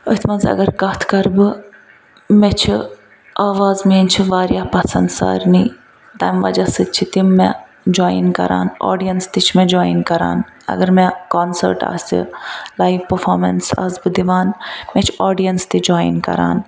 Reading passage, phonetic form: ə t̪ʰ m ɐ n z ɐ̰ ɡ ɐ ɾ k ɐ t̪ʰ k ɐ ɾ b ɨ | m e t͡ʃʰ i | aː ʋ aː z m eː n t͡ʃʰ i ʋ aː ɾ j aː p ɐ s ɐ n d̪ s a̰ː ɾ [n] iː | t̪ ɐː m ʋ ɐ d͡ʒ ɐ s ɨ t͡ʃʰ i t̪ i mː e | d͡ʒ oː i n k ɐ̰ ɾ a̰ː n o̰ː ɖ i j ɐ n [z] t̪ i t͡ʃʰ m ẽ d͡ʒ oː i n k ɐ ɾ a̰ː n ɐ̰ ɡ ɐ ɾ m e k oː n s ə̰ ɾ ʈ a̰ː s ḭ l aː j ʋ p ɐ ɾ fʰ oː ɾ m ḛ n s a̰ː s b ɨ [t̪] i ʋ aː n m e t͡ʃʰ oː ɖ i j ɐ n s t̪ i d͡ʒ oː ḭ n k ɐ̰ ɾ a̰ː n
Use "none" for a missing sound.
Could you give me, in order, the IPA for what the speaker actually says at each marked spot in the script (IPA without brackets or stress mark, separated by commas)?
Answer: n, s, d̪